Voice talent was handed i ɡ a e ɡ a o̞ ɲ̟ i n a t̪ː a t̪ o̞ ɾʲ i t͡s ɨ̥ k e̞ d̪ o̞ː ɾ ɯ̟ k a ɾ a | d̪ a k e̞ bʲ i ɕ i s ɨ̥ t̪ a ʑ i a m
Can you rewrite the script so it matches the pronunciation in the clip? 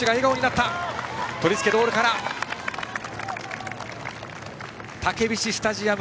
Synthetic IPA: i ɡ a e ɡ a o̞ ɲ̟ i n a t̪ː a t̪ o̞ ɾʲ i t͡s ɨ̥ k e̞ d̪ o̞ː ɾ ɯ̟ k a ɾ a | t̪ a k e̞ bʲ i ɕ i s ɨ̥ t̪ a ʑ i a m